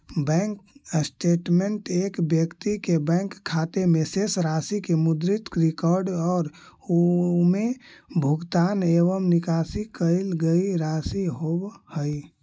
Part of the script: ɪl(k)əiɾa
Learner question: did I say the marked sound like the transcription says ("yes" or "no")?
no